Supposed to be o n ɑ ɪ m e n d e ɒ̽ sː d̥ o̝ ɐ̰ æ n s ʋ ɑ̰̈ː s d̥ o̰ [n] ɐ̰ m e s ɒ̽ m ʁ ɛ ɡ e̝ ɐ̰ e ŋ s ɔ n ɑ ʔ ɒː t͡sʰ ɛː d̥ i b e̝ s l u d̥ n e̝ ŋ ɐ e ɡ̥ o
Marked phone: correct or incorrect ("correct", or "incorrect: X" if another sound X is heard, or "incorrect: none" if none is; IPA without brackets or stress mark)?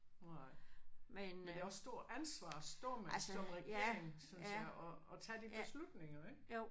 incorrect: none